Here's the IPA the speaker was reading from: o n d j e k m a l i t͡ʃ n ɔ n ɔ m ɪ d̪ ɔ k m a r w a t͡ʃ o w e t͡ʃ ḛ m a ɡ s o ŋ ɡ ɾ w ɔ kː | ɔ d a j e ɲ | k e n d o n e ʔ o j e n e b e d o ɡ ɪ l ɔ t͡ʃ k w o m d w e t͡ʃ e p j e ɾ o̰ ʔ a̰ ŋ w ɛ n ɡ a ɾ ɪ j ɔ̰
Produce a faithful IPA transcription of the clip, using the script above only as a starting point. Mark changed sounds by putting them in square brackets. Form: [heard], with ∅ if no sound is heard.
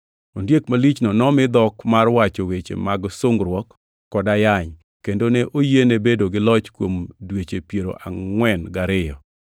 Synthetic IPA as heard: o n d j e k m a l i t͡ʃ n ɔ n ɔ m ɪ d̪ ɔ k m a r w a t͡ʃ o w e t͡ʃ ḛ m a ɡ s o ŋ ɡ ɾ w ɔ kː | ɔ d a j [a] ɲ | k e n d o n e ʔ o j e n e b e d o ɡ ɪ l ɔ t͡ʃ k w o m d w e t͡ʃ e p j e ɾ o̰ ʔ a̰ ŋ w ɛ n ɡ a ɾ ɪ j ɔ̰

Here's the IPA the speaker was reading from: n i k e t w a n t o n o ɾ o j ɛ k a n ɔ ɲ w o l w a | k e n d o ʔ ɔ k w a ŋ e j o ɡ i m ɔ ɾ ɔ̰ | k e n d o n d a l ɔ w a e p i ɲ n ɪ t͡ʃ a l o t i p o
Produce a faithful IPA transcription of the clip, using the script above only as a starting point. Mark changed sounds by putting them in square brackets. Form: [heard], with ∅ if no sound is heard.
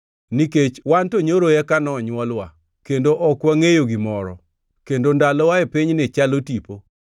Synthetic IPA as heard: n i k e [t͡ʃ] w a n t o [ɲ] o ɾ o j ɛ k a n ɔ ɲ w [ɔ] l w a | k e n d o ʔ ɔ k w a ŋ e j o ɡ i m ɔ ɾ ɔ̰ | k e n d o n d a l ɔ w a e p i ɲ n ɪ t͡ʃ a l o t i p o

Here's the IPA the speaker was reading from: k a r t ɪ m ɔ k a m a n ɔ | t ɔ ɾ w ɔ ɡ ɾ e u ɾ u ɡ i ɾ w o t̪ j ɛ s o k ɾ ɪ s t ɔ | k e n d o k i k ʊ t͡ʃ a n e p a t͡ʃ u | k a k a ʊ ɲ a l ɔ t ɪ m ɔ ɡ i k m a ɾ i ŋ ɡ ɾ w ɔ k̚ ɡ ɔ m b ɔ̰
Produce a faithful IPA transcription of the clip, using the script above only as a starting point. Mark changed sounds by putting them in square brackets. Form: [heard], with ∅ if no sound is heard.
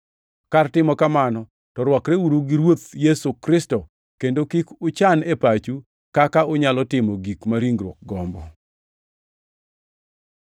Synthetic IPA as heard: k a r t ɪ m ɔ k a m a n ɔ | t ɔ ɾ w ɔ [k] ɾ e u ɾ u ɡ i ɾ w o t̪ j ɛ s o k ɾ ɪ s t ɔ | k e n d o k i k ʊ t͡ʃ a n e p a t͡ʃ u | k a k a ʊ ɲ a l ɔ t ɪ m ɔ ɡ i k m a ɾ i ŋ ɡ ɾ w ɔ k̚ ɡ ɔ m b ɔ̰

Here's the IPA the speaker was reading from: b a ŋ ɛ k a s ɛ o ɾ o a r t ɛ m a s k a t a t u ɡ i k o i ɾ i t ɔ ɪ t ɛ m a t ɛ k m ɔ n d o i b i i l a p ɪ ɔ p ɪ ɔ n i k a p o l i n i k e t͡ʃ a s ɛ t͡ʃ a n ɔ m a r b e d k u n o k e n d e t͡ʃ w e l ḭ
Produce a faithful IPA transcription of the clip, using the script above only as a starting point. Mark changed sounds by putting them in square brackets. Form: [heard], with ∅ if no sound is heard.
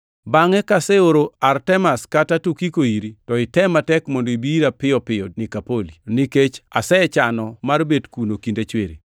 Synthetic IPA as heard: b a ŋ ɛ k a s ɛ o ɾ o a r t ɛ m a s k a t a t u [k] i k o i ɾ i t ɔ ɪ t ɛ m a t ɛ k m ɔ n d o i b i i [ɾ] a p ɪ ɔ p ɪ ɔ n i k a p o l i n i k e t͡ʃ a s ɛ t͡ʃ a n ɔ m a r b e d k u n o k [i] n d e t͡ʃ w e [ɾ] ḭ

